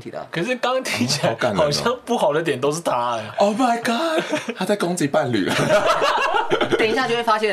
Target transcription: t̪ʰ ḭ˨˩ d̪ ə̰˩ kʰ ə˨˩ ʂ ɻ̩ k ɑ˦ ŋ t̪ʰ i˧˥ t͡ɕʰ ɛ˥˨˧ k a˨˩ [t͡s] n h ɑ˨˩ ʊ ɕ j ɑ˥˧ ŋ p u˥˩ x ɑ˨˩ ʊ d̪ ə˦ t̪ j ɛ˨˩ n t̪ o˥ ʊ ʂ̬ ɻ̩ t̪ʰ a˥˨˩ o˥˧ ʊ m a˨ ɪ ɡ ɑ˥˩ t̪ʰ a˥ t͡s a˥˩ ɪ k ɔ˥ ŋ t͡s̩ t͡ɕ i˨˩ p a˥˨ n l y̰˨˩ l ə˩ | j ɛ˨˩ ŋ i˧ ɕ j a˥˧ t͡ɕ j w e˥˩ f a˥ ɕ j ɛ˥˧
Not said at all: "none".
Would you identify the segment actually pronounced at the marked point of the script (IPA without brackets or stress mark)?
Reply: none